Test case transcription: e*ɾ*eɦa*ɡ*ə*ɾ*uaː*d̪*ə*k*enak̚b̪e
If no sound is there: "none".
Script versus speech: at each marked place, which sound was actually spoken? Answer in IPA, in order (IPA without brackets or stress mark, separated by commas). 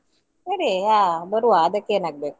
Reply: ɾ, b, ɾ, d̪, k